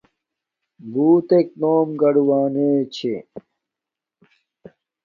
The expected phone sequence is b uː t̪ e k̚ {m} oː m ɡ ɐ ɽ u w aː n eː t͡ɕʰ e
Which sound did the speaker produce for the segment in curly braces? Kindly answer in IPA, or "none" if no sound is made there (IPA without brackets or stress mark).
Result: n